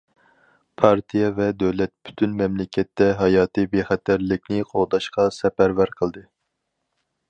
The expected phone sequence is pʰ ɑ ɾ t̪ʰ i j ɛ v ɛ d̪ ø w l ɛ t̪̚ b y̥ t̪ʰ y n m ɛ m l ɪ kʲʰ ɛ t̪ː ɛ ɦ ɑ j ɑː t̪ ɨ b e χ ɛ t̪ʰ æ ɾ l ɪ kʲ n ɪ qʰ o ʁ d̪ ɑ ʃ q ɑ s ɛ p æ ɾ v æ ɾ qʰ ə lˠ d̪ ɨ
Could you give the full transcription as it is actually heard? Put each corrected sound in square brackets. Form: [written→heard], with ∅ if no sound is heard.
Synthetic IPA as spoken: pʰ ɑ ɾ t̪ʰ i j ɛ v ɛ d̪ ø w l ɛ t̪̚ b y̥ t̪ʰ y n m ɛ m l ɪ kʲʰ ɛ t̪ː ɛ ɦ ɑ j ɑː t̪ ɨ b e χ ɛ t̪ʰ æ ɾ l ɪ kʲ n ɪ qʰ o ʁ d̪ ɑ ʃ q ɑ s ɛ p æ ɾ v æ ɾ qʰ ə lˠ d̪ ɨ